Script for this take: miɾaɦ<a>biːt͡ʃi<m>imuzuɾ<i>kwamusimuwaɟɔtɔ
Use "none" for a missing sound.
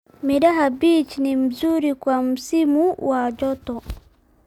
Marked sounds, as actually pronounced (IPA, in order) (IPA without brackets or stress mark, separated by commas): a, n, i